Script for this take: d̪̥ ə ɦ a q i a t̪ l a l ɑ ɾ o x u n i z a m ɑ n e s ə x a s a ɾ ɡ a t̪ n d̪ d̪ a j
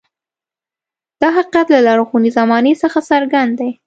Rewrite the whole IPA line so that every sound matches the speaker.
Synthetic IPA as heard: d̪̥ ɑ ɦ a q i a t̪ l a l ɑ ɾ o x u n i z a m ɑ n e s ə x a s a ɾ ɡ a n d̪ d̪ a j